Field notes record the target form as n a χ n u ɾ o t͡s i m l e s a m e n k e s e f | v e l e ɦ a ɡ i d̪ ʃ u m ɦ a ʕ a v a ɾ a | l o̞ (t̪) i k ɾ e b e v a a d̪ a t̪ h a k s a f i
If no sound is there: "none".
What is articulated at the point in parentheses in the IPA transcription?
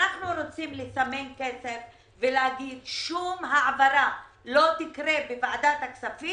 t̪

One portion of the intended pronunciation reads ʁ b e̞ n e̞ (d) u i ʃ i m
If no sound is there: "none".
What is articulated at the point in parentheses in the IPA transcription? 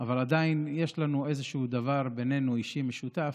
n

